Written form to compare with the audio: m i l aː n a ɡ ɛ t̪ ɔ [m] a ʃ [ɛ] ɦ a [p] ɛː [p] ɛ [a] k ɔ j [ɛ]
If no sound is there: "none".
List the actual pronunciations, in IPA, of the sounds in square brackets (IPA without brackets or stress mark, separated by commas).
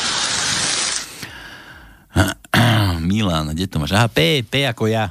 m, a, p, p, a, a